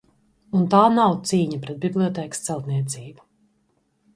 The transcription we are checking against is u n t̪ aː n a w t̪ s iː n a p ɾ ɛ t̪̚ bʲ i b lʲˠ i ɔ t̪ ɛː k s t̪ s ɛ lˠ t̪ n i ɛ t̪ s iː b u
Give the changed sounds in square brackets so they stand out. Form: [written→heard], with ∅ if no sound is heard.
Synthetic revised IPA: u n t̪ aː n a w t̪ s iː [n→ɲ] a p ɾ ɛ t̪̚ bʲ i b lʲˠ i ɔ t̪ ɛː k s t̪ s ɛ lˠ t̪ n i ɛ t̪ s iː b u